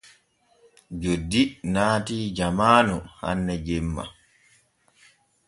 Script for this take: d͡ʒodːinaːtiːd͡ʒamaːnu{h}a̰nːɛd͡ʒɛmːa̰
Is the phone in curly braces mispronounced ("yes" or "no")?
no